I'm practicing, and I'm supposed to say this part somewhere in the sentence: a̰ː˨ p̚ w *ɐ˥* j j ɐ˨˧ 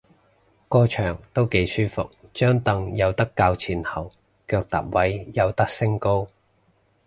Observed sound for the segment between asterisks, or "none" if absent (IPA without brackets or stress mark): ɐ˨˥